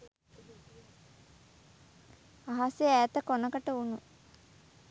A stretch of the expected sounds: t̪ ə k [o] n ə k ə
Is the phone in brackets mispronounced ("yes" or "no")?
no